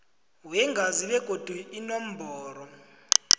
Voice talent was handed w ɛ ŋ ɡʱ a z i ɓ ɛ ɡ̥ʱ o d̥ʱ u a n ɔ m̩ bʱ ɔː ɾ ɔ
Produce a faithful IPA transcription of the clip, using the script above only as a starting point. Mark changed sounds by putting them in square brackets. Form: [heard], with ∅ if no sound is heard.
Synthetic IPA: w ɛ ŋ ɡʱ a z i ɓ ɛ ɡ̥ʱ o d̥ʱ u [i] n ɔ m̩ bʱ ɔː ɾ ɔ